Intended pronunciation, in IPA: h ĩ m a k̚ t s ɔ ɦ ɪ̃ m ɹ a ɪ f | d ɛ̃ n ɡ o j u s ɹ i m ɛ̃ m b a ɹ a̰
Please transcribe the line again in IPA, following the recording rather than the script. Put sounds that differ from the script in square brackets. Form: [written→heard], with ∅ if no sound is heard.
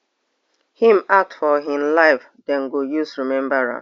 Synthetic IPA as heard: h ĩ m a k̚ t [s→f] ɔ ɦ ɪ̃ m [ɹ→l] a ɪ f | d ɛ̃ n ɡ o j u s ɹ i m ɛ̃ m b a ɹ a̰